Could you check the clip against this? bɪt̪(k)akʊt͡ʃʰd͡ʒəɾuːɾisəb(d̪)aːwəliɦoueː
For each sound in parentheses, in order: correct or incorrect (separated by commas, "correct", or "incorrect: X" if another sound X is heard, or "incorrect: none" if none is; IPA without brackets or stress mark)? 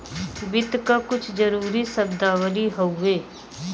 correct, correct